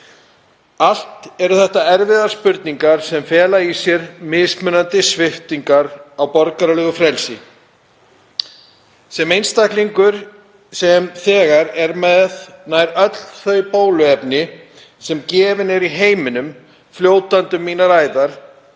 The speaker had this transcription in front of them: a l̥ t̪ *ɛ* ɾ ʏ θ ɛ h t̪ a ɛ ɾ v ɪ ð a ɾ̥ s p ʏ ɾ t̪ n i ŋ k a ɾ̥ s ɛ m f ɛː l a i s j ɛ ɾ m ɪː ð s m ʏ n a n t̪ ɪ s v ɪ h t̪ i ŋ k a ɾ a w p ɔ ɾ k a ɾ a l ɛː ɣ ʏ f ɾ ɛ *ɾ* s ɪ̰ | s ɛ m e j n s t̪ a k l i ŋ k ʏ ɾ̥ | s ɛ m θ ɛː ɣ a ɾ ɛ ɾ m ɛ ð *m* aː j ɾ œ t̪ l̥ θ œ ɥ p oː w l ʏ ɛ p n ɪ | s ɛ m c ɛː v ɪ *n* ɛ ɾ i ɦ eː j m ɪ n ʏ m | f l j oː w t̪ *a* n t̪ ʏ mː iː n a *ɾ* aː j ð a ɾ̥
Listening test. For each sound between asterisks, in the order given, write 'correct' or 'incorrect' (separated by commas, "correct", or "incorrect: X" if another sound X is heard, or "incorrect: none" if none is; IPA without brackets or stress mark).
correct, incorrect: l, incorrect: n, correct, correct, correct